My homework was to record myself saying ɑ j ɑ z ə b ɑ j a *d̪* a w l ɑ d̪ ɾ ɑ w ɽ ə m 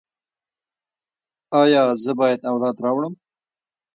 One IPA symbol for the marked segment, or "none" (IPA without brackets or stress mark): d̪